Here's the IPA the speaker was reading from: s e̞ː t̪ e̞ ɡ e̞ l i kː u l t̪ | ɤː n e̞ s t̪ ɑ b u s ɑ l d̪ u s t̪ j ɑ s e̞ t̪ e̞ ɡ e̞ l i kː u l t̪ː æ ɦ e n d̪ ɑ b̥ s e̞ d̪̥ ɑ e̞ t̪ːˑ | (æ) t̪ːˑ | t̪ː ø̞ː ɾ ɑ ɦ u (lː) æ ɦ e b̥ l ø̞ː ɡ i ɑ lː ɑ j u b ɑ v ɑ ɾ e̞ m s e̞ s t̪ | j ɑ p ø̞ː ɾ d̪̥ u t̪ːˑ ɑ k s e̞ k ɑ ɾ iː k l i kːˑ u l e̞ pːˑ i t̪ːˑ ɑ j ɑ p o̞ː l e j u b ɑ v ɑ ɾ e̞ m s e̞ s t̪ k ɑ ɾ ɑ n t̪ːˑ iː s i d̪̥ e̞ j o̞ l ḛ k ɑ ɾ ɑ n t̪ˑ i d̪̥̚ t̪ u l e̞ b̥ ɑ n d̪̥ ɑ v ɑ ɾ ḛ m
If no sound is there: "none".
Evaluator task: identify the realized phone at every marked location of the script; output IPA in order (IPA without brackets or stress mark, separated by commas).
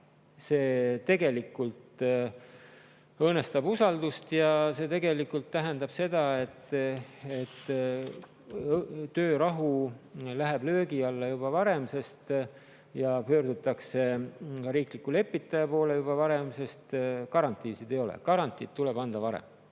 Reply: e, l